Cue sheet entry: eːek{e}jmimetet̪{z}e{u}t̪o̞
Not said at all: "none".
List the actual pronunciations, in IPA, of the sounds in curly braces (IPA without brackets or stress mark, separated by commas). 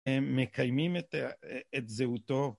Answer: a, z, u